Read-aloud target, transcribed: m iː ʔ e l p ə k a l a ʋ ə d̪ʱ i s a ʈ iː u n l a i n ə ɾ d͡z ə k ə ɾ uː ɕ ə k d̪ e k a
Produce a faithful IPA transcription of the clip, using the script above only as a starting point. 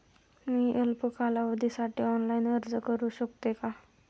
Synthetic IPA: m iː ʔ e l p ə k a l a ʋ ə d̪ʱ i s a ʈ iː ɔ n l a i n ə ɾ d͡z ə k ə ɾ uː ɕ ə k t̪ e k a